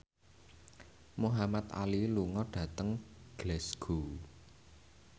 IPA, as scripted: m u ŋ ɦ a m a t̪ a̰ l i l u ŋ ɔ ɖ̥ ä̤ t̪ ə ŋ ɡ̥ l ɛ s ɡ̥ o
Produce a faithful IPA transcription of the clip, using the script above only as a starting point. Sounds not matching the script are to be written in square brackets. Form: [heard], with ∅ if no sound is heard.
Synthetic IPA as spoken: m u [∅] ɦ a m a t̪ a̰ l i l u ŋ ɔ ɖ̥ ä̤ t̪ ə ŋ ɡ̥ l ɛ s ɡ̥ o